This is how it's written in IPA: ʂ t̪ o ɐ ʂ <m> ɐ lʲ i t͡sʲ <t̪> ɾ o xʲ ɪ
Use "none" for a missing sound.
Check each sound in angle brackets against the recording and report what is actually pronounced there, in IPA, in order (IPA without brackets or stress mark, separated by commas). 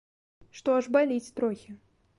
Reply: b, t̪